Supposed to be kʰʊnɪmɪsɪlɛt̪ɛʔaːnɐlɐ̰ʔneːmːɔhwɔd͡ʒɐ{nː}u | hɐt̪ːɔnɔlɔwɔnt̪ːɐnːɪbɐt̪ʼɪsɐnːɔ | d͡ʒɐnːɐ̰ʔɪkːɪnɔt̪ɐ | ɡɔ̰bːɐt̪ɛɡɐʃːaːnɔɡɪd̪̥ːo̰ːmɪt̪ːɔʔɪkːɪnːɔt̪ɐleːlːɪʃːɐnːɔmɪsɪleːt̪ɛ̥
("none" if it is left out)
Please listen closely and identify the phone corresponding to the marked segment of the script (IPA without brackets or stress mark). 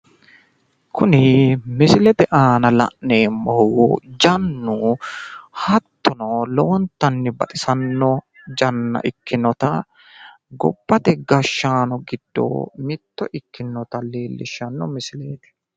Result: nː